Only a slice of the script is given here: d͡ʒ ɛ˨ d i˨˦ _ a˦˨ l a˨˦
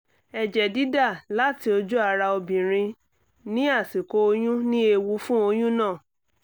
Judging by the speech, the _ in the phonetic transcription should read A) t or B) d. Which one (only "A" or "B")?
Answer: B